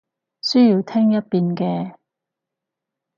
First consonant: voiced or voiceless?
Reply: voiceless